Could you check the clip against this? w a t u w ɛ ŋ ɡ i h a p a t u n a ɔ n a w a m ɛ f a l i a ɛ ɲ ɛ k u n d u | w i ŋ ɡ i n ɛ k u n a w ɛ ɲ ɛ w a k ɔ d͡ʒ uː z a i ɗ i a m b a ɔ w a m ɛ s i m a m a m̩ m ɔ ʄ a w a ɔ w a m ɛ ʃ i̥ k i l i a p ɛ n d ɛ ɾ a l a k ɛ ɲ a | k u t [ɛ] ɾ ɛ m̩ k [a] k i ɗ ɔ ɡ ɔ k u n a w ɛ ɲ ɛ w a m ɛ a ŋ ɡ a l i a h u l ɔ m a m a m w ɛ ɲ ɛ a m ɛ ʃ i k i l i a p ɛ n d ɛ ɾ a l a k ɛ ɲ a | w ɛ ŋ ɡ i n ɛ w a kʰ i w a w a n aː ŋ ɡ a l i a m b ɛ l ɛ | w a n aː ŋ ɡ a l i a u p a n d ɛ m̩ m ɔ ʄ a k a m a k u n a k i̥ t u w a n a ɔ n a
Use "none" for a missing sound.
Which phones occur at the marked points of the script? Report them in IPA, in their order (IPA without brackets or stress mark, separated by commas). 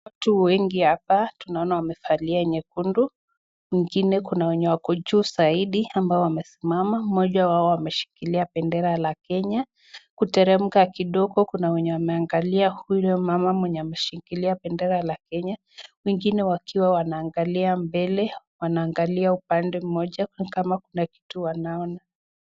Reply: ɛ, a